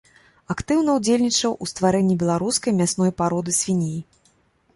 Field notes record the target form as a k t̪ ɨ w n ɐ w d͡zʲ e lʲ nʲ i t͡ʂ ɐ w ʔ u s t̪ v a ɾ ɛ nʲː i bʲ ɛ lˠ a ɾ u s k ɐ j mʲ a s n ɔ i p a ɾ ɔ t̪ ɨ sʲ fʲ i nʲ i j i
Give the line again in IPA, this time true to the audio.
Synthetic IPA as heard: a k t̪ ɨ w n ɐ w d͡zʲ e lʲ nʲ i t͡ʂ ɐ w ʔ u s t̪ v a ɾ ɛ nʲː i bʲ ɛ lˠ a ɾ u s k ɐ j mʲ a s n ɔ j p a ɾ ɔ d̪ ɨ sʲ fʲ i nʲ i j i